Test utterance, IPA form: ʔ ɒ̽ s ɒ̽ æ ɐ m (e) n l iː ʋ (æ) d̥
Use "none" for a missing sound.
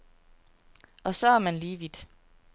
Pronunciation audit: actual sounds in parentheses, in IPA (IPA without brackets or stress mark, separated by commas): æ, i